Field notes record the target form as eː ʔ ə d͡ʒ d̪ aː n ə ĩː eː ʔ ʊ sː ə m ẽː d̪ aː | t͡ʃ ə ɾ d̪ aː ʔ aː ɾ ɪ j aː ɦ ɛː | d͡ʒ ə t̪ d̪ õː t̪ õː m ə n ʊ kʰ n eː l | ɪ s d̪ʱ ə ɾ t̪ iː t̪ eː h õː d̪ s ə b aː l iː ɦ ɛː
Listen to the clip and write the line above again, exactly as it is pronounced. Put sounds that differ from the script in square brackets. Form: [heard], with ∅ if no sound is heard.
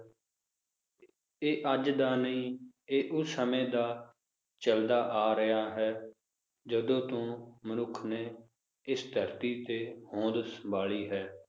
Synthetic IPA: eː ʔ ə d͡ʒ d̪ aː n ə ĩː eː ʔ ʊ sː ə m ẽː d̪ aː | t͡ʃ ə [l] d̪ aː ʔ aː ɾ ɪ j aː ɦ ɛː | d͡ʒ ə [∅] d̪ õː t̪ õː m ə n ʊ kʰ n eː [∅] | ɪ s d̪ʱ ə ɾ t̪ iː t̪ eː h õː d̪ s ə b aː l iː ɦ ɛː